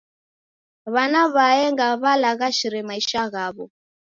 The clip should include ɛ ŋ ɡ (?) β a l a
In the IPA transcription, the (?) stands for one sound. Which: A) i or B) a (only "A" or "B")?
B